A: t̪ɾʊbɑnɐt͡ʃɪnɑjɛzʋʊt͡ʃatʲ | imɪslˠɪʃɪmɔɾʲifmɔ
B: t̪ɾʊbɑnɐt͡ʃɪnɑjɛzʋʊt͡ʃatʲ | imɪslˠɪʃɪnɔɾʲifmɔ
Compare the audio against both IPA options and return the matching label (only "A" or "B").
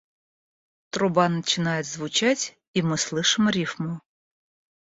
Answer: A